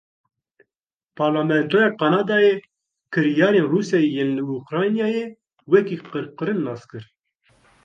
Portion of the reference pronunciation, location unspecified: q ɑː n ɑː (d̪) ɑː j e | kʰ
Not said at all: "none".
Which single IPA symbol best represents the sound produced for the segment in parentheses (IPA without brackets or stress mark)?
d̪